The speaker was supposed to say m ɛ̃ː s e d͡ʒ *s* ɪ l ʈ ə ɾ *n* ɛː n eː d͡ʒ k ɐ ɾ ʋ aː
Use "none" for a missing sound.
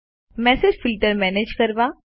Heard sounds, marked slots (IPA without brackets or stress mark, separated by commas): f, m